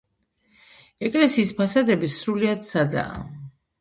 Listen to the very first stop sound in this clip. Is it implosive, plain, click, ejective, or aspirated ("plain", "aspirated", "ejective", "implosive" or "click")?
ejective